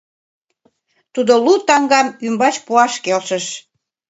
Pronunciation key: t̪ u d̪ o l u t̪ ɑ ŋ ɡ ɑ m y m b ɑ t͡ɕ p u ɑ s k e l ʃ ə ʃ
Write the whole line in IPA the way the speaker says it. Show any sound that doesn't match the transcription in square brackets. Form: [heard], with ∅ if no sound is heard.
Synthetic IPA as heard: t̪ u d̪ o l u t̪ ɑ ŋ ɡ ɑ m y m b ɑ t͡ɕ p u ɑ [ʃ] k e l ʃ ə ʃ